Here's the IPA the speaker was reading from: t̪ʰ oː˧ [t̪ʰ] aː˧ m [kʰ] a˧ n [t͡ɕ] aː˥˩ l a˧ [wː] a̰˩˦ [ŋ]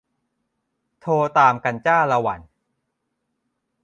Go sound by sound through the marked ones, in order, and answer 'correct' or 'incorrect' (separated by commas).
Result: incorrect, incorrect, correct, incorrect, incorrect